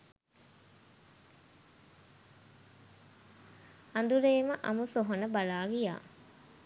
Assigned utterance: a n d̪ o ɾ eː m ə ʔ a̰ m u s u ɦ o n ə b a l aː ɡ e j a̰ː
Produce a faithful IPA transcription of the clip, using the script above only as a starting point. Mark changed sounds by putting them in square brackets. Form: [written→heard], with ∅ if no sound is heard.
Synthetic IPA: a n d̪ [o→u] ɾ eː m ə ʔ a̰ m u s [u→o] ɦ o n ə b a l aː ɡ [e→i] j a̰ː